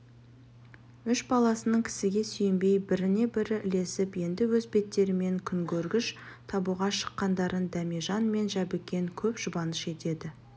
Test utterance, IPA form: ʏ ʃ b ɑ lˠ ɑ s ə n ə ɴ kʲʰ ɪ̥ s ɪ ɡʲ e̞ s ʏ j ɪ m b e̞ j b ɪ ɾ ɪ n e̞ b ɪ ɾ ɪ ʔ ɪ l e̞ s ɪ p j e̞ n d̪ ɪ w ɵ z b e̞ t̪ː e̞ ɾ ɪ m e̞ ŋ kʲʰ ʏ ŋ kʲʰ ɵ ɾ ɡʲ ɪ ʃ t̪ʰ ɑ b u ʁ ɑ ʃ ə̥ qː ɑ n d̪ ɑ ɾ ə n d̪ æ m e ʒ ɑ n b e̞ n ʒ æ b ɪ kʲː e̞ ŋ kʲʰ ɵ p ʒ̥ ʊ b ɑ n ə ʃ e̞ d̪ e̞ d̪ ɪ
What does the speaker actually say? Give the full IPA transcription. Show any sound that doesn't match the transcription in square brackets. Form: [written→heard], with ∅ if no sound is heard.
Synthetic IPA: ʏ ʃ b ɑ lˠ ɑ s ə n ə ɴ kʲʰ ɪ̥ s ɪ ɡʲ e̞ s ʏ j ɪ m b e̞ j b ɪ ɾ ɪ n e̞ b ɪ ɾ ɪ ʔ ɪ l e̞ s ɪ p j e̞ n d̪ ɪ w ɵ z b e̞ t̪ː e̞ ɾ ɪ m e̞ ŋ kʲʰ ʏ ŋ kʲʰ ɵ ɾ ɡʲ ɪ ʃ t̪ʰ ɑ b u ʁ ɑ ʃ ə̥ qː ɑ n d̪ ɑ ɾ ə n d̪ æ m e ʒ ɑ n [b→m] e̞ n ʒ æ b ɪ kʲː e̞ ŋ kʲʰ ɵ p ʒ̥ ʊ b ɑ n ə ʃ e̞ [d̪→t̪] e̞ d̪ ɪ